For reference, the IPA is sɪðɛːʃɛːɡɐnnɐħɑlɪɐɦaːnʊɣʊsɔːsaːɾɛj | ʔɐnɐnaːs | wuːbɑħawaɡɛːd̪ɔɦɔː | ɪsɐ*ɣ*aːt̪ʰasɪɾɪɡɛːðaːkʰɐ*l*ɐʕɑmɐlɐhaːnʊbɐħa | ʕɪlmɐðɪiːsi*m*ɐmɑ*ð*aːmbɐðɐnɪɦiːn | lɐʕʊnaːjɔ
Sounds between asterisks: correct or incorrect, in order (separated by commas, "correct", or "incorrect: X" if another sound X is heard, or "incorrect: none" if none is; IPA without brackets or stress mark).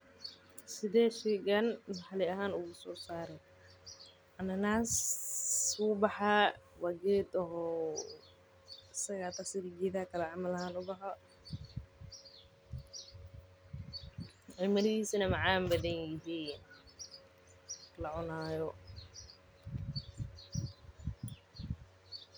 correct, correct, incorrect: n, incorrect: ʕ